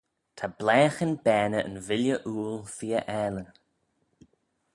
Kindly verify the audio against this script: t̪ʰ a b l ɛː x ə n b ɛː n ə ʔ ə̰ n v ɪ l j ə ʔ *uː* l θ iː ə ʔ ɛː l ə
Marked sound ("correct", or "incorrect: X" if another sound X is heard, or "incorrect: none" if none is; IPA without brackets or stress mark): correct